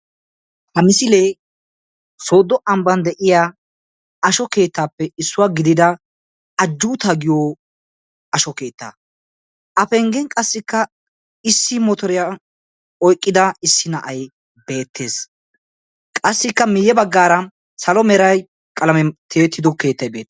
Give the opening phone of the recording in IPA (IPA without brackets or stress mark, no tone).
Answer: h